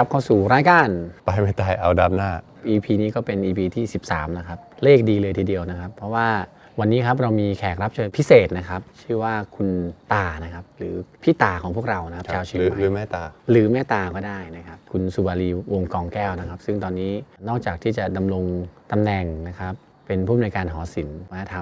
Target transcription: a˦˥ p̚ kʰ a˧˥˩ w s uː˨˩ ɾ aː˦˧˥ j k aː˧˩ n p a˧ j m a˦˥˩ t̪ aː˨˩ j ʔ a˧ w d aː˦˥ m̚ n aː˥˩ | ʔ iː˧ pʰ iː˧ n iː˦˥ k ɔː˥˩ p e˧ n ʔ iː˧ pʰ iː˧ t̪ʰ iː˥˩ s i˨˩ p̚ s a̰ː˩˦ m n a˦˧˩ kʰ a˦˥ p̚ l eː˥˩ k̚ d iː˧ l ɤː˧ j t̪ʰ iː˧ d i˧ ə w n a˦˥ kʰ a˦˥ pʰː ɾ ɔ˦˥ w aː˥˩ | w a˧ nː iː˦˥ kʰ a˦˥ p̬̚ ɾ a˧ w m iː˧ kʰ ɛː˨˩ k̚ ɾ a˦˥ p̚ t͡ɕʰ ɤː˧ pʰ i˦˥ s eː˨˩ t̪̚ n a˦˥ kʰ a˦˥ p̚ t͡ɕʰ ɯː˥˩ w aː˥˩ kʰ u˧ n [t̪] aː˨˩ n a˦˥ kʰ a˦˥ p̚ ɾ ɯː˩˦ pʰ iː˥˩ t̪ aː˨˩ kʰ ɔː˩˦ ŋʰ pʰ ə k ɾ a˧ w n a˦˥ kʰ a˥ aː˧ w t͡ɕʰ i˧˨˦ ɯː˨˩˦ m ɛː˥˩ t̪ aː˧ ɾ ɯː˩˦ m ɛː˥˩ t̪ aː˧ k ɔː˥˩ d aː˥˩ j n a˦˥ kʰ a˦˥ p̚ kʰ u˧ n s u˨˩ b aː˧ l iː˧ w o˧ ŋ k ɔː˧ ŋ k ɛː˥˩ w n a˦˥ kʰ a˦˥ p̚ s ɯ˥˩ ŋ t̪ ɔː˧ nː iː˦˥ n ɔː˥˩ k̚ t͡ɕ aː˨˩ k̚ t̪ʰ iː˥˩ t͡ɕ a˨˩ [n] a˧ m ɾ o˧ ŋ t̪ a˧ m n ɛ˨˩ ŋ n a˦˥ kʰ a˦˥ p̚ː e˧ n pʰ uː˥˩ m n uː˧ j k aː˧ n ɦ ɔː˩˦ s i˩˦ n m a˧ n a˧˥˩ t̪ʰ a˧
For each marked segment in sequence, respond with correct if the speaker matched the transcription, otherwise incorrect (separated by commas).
correct, incorrect